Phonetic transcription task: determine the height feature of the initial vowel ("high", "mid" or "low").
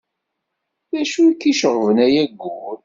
low